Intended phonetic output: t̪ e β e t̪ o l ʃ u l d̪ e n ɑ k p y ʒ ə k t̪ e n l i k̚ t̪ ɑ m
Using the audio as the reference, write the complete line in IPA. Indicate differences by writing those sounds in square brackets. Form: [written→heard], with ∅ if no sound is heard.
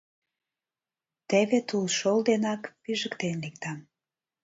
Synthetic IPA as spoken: t̪ e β e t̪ [o→u] l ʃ [u→o] l d̪ e n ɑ k p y ʒ ə k t̪ e n l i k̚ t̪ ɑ m